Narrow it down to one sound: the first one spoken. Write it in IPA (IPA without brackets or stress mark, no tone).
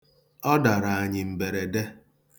ɔ